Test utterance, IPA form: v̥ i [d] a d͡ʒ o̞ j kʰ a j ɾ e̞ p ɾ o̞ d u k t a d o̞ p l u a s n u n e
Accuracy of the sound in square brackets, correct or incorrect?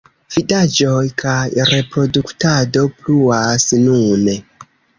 correct